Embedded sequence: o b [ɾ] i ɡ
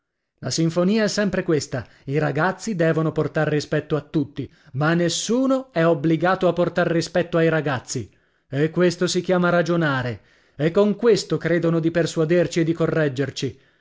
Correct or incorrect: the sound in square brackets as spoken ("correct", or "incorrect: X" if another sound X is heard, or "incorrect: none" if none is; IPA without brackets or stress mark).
incorrect: l